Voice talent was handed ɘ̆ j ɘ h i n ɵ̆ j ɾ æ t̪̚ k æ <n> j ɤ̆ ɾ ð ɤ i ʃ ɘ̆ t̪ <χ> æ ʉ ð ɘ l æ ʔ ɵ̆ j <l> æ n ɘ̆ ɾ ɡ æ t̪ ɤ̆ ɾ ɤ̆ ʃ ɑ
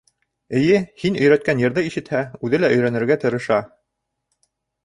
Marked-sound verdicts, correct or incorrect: correct, incorrect: h, incorrect: ɾ

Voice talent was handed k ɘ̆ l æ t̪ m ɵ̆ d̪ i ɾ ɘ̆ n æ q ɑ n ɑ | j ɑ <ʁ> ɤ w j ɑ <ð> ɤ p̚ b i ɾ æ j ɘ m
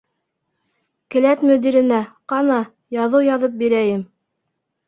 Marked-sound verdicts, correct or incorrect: incorrect: ð, correct

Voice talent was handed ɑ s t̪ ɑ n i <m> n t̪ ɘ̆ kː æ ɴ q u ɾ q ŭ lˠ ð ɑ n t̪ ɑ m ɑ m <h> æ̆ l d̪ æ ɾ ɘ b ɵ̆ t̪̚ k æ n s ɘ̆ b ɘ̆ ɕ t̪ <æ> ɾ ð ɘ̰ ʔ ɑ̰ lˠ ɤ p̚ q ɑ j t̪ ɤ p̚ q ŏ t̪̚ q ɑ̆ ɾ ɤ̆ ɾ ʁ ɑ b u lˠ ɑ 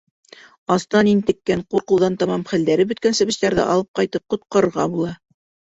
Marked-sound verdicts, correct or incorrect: incorrect: none, incorrect: χ, correct

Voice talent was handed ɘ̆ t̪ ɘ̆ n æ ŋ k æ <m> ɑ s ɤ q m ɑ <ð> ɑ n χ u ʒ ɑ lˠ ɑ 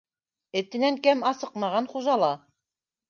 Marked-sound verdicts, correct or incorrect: correct, incorrect: ʁ

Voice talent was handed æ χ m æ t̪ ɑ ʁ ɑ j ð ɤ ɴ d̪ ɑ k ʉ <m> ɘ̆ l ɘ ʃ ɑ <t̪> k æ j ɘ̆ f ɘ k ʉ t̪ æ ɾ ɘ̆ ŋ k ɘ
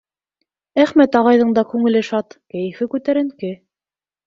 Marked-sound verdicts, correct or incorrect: incorrect: ŋ, correct

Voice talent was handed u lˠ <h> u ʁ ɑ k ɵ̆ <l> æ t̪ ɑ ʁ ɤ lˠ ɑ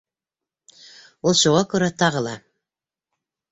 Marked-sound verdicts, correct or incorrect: incorrect: ʃ, incorrect: ɾ

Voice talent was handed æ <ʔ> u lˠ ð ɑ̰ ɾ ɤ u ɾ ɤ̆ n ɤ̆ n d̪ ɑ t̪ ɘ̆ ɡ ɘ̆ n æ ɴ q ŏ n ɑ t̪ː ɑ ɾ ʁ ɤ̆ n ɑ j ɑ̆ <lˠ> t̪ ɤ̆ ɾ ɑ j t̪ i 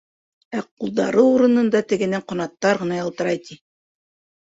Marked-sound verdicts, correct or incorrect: incorrect: q, correct

